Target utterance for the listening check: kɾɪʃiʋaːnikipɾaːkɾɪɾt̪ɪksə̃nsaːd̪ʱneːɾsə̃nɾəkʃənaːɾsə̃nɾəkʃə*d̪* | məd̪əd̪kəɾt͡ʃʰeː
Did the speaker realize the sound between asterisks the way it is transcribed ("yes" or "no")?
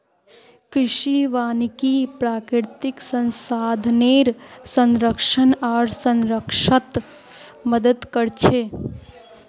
no